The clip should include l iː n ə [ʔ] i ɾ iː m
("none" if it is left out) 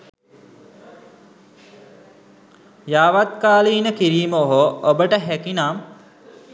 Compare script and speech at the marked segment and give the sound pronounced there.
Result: k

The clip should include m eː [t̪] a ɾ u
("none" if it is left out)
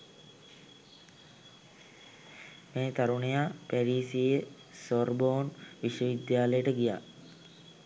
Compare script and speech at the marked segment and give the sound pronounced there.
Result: t̪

